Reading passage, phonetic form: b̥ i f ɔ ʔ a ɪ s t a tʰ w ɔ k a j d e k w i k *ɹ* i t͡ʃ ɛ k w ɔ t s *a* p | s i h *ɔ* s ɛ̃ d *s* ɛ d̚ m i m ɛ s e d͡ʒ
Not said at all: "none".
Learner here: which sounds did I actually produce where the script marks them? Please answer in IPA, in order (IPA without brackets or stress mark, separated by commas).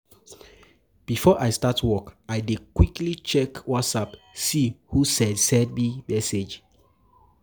l, a, u, s